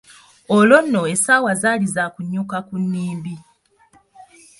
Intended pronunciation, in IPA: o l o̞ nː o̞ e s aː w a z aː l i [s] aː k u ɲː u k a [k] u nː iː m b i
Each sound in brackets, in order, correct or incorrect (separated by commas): incorrect, correct